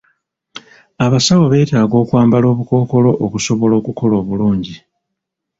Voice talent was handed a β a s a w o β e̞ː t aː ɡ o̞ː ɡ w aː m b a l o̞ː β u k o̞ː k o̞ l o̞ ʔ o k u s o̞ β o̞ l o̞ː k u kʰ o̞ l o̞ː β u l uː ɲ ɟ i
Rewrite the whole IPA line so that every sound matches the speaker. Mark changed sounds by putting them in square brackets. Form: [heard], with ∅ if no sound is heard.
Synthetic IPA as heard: a β a s a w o β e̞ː t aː ɡ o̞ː [k] w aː m b a l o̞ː β u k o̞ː k o̞ l o̞ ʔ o k u s o̞ β o̞ l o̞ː k u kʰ o̞ l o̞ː β u l uː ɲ ɟ i